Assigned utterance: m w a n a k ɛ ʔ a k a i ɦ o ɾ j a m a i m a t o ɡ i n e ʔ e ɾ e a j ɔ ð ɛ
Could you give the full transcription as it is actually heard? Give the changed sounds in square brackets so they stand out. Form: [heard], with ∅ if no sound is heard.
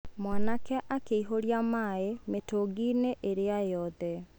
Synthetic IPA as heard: m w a n a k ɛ ʔ a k [e] i ɦ o ɾ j a m a [e] m [e] t o ɡ i n e ʔ e ɾ e a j ɔ ð ɛ